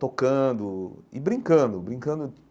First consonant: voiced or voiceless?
voiceless